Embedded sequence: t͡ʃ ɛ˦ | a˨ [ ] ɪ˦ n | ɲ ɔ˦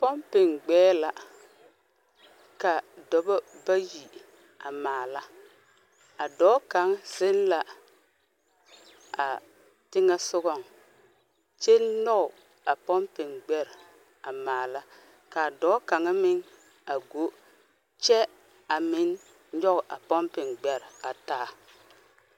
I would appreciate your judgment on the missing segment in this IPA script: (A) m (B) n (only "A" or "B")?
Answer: A